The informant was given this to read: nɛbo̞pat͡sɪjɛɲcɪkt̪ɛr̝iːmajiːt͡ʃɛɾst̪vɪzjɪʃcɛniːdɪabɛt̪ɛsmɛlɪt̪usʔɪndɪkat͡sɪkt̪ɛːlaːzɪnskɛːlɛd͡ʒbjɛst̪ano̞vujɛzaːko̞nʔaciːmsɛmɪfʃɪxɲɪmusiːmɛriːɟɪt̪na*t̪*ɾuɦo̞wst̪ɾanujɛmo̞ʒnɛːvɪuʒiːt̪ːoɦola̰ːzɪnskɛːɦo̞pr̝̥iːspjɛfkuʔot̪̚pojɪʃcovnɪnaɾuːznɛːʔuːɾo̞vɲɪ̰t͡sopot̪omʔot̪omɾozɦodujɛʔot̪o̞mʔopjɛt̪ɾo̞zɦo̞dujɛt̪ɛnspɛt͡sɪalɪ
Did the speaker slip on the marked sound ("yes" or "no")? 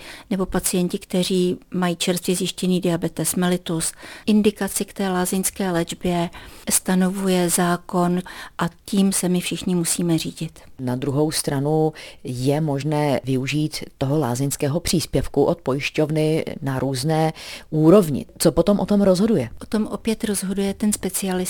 yes